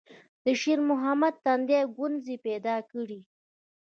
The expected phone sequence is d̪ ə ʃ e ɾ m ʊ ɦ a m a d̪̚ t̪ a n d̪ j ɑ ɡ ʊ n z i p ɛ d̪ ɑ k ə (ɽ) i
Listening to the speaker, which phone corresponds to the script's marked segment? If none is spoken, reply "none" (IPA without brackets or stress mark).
ɽ